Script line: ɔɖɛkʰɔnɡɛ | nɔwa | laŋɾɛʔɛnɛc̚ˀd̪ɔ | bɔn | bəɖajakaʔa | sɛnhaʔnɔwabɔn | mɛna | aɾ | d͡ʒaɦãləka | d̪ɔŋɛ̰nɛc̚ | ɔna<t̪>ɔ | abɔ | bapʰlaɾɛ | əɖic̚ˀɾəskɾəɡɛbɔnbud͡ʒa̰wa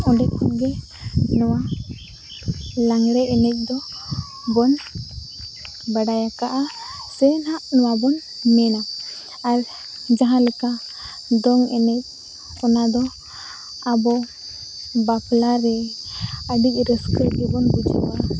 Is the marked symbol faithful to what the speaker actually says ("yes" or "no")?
no